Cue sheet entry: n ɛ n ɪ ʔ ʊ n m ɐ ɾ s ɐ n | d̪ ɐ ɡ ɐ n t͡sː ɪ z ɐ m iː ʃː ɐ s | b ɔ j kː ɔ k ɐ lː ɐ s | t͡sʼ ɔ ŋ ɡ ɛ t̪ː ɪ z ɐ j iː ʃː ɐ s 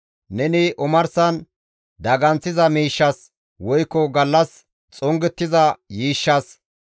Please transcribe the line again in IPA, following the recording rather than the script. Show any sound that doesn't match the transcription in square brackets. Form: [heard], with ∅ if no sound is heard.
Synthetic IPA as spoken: n ɛ n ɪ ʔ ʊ [∅] m ɐ ɾ s ɐ n | d̪ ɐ ɡ ɐ n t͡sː ɪ z ɐ m iː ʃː ɐ s | [w] ɔ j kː ɔ [ɡ] ɐ lː ɐ s | t͡sʼ ɔ ŋ ɡ ɛ t̪ː ɪ z ɐ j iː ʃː ɐ s